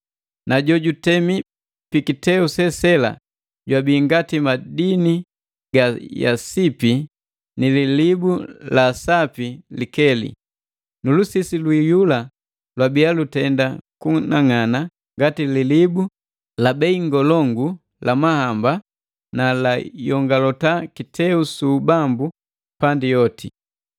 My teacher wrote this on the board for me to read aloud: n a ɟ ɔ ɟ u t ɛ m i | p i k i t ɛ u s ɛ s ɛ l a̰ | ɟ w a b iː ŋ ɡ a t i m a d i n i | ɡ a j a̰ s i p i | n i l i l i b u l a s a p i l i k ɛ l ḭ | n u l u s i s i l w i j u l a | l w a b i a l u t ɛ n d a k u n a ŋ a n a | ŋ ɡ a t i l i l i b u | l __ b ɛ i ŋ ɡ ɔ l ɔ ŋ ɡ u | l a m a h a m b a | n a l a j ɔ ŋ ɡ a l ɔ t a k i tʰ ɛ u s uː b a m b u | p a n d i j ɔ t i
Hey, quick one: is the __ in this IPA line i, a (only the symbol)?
a